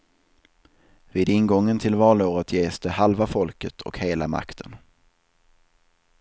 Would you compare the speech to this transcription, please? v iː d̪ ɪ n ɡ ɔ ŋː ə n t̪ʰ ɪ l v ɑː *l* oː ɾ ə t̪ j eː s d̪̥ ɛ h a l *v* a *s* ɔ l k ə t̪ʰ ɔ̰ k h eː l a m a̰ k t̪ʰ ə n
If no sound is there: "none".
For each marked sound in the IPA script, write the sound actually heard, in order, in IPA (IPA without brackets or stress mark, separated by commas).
l, v, f